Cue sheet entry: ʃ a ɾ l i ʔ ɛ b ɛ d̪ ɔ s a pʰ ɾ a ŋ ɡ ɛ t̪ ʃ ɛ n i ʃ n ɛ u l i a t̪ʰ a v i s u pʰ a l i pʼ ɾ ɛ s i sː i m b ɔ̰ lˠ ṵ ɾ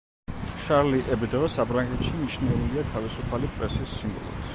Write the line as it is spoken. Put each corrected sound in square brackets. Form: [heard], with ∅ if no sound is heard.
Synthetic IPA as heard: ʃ a ɾ l i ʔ ɛ b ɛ d̪ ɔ s a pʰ ɾ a ŋ ɡ ɛ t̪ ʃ [i] n i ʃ n ɛ u l i a t̪ʰ a v i s u pʰ a l i pʼ ɾ ɛ s i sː i m b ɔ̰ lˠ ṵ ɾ